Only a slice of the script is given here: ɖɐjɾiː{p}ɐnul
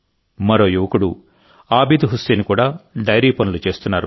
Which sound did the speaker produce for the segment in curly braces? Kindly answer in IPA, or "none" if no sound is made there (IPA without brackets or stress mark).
p